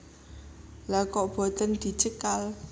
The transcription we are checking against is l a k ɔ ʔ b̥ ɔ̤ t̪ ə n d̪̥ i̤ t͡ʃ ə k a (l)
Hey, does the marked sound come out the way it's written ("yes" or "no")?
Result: yes